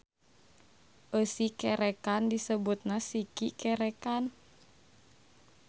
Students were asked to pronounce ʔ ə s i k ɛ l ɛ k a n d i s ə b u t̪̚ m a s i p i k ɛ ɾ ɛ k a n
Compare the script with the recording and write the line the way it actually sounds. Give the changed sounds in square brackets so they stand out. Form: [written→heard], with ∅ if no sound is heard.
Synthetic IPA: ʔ ə s i k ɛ [l→ɾ] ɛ k a n d i s ə b u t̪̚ [m→n] a s i [p→k] i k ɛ ɾ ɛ k a n